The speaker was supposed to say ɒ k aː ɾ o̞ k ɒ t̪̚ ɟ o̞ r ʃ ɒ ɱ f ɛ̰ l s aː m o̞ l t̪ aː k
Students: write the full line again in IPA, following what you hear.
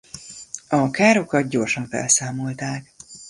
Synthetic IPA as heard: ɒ k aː ɾ o̞ k ɒ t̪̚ ɟ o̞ r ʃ ɒ ɱ f ɛ̰ l s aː m o̞ l t̪ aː k